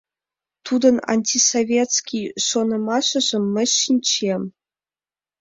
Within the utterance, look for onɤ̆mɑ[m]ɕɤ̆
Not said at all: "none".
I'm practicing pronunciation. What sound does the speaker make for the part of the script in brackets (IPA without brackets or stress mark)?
none